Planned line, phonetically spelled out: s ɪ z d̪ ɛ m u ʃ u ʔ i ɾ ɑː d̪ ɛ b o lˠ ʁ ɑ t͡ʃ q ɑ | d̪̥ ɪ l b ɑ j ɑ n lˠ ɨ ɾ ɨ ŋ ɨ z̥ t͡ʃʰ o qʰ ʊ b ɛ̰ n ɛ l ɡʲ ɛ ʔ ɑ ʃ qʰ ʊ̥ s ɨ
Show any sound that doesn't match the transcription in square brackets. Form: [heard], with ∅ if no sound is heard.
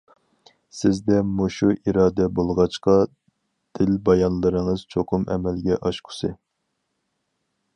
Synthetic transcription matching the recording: s ɪ z d̪ ɛ m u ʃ u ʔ i ɾ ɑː d̪ ɛ b o lˠ ʁ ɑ t͡ʃ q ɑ | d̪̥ ɪ l b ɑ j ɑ n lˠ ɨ ɾ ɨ ŋ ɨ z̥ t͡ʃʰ o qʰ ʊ [m] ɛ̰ [m] ɛ l ɡʲ ɛ ʔ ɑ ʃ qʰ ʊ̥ s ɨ